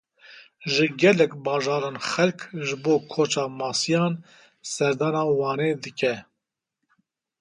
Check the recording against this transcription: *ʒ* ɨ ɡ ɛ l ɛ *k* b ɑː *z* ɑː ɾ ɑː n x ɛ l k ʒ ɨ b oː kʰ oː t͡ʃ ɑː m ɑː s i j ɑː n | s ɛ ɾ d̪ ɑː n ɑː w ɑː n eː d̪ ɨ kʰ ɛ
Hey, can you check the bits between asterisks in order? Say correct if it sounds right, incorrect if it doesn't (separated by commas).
correct, correct, incorrect